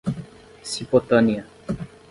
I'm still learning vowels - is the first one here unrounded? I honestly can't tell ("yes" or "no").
yes